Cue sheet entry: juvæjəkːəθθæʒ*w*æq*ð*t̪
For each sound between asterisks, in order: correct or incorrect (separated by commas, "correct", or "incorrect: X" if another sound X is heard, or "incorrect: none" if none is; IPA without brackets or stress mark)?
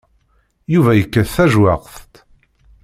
correct, incorrect: θ